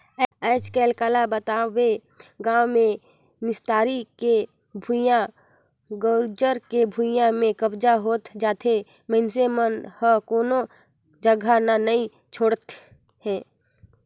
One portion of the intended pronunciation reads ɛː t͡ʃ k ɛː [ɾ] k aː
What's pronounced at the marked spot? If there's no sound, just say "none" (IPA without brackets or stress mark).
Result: l